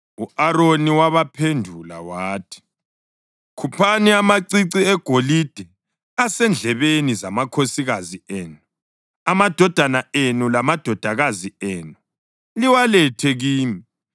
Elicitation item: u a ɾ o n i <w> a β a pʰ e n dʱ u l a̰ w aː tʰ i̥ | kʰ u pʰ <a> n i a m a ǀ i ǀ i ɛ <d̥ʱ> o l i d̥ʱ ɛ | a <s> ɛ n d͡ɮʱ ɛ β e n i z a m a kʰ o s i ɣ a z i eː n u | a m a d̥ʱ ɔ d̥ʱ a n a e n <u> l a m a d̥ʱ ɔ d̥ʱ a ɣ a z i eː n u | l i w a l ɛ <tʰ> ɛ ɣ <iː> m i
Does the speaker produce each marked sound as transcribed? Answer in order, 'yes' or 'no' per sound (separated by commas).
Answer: yes, yes, no, yes, yes, yes, yes